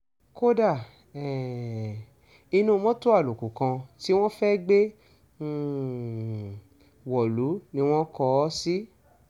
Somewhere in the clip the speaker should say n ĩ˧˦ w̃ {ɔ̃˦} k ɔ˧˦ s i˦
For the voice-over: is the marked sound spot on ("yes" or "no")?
yes